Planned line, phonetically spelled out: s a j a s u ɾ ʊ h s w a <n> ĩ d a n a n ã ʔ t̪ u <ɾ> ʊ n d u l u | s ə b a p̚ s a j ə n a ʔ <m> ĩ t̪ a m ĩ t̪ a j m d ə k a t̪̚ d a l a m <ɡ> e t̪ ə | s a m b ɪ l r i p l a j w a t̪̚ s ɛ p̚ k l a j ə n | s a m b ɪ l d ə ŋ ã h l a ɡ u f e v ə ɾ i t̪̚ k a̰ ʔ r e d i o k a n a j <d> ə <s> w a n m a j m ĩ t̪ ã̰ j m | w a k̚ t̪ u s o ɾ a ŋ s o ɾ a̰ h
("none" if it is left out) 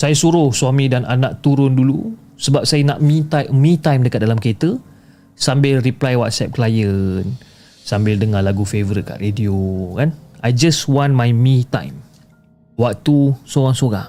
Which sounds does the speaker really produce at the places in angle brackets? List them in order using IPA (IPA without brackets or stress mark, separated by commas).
m, ɾ, m, k, d͡ʒ, s